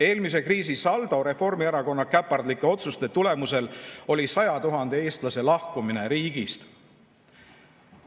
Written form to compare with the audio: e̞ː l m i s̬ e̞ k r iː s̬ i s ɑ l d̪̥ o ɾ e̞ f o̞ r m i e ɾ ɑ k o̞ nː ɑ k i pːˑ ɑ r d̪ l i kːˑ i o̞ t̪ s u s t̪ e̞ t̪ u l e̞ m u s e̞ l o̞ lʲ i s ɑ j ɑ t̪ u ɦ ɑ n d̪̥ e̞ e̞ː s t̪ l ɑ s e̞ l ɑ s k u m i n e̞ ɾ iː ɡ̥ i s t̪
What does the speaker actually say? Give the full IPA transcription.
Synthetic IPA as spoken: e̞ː l m i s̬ e̞ k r iː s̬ i s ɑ l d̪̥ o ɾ e̞ f o̞ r m i e ɾ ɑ k o̞ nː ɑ k æ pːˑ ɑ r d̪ l i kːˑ e o̞ t̪ s u s t̪ e̞ t̪ u l e̞ m u s e̞ l o̞ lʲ i s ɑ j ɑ t̪ u ɦ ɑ n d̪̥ e̞ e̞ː s t̪ l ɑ s e̞ l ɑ h k u m i n e̞ ɾ iː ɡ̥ i s t̪